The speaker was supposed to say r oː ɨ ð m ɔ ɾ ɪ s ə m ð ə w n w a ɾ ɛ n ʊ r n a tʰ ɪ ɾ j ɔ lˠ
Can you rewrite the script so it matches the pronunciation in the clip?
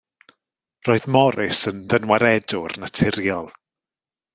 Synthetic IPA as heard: r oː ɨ ð m ɔ ɾ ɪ s ə n ð ə n w a ɾ ɛ d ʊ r n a tʰ ɪ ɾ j ɔ lˠ